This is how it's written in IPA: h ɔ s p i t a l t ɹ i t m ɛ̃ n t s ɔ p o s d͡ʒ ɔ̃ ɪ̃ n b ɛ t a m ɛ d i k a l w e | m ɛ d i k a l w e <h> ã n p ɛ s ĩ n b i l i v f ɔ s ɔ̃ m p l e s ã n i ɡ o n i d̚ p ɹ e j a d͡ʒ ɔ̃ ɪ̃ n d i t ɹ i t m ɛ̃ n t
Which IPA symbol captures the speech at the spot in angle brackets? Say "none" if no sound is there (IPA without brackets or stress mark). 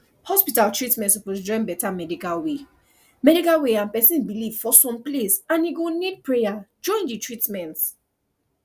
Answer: none